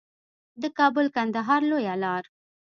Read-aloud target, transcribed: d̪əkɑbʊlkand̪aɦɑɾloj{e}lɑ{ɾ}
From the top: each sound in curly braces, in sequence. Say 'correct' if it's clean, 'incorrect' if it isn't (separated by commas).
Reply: incorrect, correct